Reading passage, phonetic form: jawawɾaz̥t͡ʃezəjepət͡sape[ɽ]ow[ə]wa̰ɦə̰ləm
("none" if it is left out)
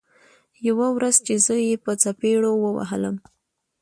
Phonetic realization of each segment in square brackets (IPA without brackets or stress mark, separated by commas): ɽ, ə